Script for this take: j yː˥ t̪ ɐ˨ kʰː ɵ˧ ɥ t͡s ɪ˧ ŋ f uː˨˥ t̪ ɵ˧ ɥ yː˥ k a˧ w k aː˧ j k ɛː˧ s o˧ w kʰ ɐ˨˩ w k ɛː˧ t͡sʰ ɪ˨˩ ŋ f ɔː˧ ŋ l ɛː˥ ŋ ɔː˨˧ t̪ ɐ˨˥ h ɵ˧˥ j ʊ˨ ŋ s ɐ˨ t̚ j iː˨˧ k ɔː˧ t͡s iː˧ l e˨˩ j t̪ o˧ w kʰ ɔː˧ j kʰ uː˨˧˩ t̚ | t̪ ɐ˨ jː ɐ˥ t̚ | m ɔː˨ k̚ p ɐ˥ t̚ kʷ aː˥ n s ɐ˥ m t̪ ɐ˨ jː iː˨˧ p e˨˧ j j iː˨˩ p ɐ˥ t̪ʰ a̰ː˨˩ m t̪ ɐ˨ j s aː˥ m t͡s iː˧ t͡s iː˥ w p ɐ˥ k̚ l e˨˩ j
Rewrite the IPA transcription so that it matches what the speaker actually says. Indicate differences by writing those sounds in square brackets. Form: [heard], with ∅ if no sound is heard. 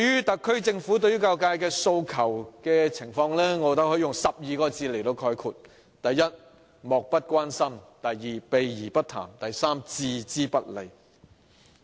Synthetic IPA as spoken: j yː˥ t̪ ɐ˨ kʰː [ɵ˥] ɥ t͡s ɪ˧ ŋ f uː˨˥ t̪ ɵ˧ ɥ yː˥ k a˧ w k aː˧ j k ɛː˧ s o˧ w kʰ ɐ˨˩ w k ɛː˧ t͡sʰ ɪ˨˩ ŋ f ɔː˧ ŋ l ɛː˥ ŋ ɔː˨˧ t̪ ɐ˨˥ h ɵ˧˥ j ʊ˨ ŋ s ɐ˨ [p̚] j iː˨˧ k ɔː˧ t͡s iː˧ l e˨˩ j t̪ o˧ w kʰ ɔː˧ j kʰ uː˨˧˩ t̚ | t̪ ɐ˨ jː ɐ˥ t̚ | m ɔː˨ k̚ p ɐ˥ t̚ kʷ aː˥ n s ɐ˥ m t̪ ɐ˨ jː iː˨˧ p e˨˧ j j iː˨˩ p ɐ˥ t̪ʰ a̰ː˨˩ m t̪ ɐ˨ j s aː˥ m t͡s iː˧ t͡s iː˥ [∅] p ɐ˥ [t̚] l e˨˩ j